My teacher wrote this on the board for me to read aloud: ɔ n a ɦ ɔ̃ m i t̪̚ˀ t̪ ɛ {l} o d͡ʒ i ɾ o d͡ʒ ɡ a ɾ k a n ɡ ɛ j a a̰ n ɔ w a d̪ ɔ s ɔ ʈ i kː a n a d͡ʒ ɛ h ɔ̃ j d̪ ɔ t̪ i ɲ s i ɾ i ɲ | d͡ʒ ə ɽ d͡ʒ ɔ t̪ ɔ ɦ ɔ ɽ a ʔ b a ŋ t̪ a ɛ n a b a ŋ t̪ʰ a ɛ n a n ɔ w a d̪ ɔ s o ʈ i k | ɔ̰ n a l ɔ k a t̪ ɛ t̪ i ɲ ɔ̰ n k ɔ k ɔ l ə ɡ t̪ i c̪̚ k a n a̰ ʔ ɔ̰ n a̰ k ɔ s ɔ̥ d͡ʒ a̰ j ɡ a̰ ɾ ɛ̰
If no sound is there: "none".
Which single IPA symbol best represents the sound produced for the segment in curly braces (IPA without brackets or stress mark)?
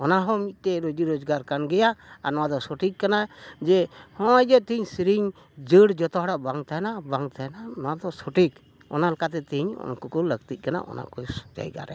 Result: ɾ